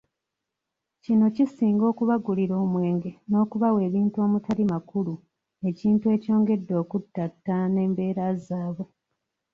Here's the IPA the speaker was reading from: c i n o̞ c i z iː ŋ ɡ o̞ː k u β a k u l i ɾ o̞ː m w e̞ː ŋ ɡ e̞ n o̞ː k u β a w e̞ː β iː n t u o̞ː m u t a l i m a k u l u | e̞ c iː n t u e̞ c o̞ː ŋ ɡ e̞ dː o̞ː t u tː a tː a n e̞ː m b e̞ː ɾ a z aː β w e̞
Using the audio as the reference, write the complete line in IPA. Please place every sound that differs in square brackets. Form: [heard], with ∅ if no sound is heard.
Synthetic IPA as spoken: c i n o̞ c i [s] iː ŋ ɡ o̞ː k u β a [ɡ] u l i ɾ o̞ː m w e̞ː ŋ ɡ e̞ n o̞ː k u β a w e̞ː β iː n t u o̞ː m u t a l i m a k u l u | e̞ c iː n t u e̞ c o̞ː ŋ ɡ e̞ dː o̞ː [k] u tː a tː a n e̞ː m b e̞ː ɾ a z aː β w e̞